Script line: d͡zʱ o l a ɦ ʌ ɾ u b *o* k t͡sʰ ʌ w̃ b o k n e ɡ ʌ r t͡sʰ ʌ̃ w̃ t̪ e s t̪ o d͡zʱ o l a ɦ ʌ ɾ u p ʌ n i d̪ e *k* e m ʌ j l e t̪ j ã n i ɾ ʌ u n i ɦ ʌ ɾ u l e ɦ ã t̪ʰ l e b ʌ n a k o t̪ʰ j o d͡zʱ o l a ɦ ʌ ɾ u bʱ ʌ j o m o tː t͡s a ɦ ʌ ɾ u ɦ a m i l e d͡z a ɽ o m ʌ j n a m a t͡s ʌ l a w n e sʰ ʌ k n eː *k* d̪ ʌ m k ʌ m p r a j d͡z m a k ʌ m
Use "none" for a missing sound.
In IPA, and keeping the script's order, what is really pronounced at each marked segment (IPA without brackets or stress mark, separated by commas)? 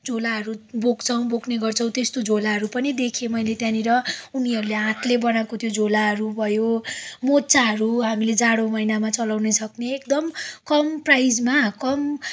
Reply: o, kʰ, k